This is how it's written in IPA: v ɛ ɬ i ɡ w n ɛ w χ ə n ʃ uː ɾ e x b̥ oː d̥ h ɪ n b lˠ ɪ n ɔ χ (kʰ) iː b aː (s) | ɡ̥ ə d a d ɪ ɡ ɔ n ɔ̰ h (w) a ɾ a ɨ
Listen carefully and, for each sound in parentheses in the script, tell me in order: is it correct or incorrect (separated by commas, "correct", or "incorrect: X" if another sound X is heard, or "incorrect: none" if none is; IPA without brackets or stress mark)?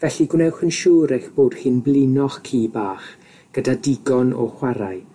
correct, incorrect: χ, correct